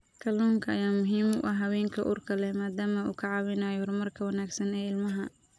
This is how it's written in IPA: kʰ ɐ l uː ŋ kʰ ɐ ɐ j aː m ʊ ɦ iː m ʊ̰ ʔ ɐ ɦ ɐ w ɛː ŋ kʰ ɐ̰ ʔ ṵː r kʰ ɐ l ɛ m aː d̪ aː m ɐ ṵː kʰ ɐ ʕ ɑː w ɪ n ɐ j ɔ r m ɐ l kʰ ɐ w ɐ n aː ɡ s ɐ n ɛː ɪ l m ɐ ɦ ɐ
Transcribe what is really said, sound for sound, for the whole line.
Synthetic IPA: kʰ ɐ l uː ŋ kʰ ɐ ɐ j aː m ʊ ɦ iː m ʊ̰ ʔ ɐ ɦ ɐ w ɛː ŋ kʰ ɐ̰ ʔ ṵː r kʰ ɐ l ɛ m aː d̪ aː m ɐ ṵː kʰ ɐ ʕ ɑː w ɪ n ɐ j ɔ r m ɐ r kʰ ɐ w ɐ n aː ɡ s ɐ n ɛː ɪ l m ɐ ɦ ɐ